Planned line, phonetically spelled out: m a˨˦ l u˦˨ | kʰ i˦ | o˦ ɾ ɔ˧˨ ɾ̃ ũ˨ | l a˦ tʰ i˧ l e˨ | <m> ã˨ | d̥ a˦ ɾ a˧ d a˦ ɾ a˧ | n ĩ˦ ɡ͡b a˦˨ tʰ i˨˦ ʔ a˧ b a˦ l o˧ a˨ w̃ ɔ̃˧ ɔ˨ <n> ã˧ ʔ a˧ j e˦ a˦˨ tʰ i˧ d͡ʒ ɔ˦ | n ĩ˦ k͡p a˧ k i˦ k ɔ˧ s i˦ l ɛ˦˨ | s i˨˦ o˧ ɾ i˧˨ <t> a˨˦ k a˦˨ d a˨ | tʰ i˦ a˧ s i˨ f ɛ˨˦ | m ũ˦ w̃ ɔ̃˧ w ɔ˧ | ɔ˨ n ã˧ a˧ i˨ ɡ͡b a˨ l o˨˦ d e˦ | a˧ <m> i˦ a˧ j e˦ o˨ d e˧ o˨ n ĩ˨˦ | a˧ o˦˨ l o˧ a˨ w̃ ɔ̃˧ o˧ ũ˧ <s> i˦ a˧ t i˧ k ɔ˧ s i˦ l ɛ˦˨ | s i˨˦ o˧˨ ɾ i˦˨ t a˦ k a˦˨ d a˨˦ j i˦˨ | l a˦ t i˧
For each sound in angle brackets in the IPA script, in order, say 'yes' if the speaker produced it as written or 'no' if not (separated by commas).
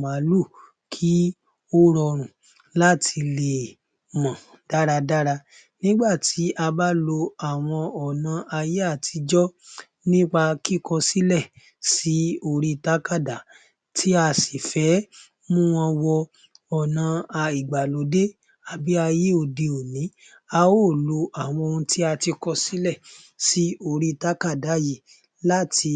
yes, yes, yes, no, no